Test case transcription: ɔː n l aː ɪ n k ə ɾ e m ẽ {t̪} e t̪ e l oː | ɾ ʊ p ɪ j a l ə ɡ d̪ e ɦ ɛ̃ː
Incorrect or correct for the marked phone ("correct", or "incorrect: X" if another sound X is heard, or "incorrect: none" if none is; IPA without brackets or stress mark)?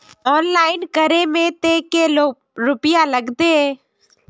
correct